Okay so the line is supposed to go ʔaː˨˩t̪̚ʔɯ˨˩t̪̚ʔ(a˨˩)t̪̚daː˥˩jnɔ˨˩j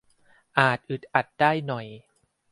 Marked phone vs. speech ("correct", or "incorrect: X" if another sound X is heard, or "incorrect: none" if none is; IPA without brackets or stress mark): correct